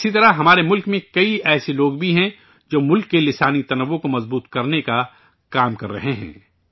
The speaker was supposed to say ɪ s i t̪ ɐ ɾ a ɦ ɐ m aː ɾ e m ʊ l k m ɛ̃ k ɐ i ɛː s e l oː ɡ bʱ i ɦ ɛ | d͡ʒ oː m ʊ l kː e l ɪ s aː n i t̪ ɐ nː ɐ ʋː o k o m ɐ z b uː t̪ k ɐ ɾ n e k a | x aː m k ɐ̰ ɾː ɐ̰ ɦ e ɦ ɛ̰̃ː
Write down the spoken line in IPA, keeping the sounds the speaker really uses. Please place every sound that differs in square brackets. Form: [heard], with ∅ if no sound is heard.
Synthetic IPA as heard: ɪ s i t̪ ɐ ɾ a ɦ ɐ m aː ɾ e m ʊ l k m [ẽ] k ɐ i ɛː s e l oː ɡ bʱ i ɦ [ɛ̃] | d͡ʒ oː m ʊ l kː e l ɪ s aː n i t̪ ɐ [n] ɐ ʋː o k o m ɐ z b uː t̪ k ɐ ɾ n e k a | [k] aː m k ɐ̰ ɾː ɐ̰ ɦ e ɦ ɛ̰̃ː

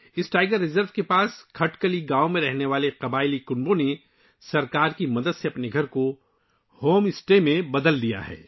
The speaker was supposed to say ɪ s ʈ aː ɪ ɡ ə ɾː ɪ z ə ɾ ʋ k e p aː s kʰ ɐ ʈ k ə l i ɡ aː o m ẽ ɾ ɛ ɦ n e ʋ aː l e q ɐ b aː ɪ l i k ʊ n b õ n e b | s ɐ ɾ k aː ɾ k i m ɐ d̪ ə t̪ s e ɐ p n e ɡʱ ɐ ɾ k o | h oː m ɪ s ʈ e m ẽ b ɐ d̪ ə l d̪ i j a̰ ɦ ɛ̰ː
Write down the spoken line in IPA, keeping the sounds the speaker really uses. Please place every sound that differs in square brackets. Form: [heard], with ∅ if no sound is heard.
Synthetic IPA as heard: ɪ s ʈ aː ɪ ɡ ə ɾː ɪ z ə ɾ ʋ k e p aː s kʰ ɐ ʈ k ə l i ɡ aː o m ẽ ɾ ɛ ɦ n e ʋ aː l e q ɐ b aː ɪ l i k ʊ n b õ n e [∅] | s ɐ ɾ k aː ɾ k i m ɐ d̪ ə [d̪] s e ɐ p n e ɡʱ ɐ ɾ k o | h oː m ɪ s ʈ e m ẽ b ɐ d̪ ə l d̪ i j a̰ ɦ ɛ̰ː

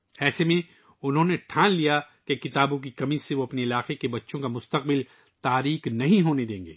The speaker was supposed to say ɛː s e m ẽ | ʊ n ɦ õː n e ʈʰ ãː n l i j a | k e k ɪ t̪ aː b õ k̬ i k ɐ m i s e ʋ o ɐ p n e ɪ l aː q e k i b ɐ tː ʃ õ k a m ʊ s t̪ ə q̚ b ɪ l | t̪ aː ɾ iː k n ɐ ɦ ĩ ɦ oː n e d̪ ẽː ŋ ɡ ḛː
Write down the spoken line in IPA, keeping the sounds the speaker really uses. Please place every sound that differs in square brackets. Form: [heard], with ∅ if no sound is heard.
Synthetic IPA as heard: ɛː s e m ẽ | ʊ n ɦ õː n e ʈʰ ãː n l i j a | k e k ɪ t̪ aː b õ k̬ i k ɐ m i s e ʋ o ɐ p n e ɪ l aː q e k [e] b ɐ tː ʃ õ k a m ʊ s t̪ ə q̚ b ɪ l | t̪ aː ɾ iː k n ɐ ɦ ĩ ɦ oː n e d̪ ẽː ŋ ɡ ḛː

